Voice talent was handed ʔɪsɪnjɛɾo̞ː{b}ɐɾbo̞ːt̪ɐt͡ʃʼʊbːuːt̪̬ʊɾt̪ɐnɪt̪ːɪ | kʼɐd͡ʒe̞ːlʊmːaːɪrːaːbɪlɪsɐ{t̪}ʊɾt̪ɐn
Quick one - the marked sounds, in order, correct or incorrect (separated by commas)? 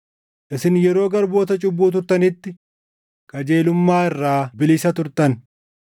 incorrect, correct